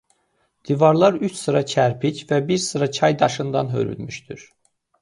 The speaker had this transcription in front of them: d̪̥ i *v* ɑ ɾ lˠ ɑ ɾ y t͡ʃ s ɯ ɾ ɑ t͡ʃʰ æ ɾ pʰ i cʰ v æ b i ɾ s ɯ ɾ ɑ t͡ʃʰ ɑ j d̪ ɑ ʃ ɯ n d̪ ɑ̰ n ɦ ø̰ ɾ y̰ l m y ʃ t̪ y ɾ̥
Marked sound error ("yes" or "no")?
no